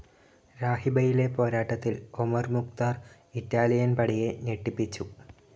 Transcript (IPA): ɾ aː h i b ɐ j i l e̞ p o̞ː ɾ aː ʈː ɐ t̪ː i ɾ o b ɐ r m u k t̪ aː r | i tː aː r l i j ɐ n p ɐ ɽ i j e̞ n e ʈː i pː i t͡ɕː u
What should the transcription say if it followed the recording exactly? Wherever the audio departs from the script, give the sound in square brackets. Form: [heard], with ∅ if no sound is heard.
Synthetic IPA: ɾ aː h i b ɐ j i l e̞ p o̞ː ɾ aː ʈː ɐ t̪ː i [l] o [m] ɐ r m u k t̪ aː r | i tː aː [∅] l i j ɐ n p ɐ ɽ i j e̞ n e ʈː i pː i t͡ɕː u